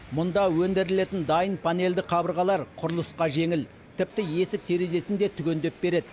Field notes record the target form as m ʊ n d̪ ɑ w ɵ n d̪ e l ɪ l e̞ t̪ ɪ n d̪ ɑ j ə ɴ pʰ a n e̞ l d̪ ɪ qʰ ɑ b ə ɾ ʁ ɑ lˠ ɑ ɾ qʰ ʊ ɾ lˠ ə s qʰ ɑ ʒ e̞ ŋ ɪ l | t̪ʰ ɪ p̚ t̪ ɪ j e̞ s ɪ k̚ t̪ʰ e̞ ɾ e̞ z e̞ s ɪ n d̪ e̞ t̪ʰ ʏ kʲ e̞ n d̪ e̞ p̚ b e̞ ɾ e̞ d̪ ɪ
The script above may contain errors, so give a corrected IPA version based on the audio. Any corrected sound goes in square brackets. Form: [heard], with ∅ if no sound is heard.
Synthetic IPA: m ʊ n d̪ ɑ w ɵ n d̪ e [ɾ] ɪ l e̞ t̪ ɪ n d̪ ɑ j ə [n] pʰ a n e̞ l d̪ ɪ qʰ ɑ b ə ɾ ʁ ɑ lˠ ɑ ɾ qʰ ʊ ɾ lˠ ə s [q] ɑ ʒ e̞ ŋ ɪ l | t̪ʰ ɪ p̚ t̪ ɪ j e̞ s ɪ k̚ t̪ʰ e̞ ɾ e̞ z e̞ s ɪ n d̪ e̞ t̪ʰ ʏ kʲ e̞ n d̪ e̞ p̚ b e̞ ɾ e̞ d̪ ɪ